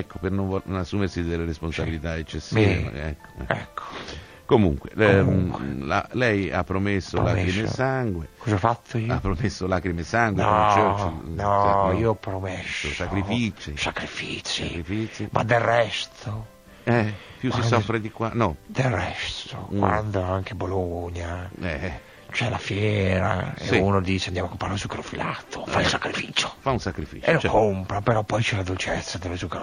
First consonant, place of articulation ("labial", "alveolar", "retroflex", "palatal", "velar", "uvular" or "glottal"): velar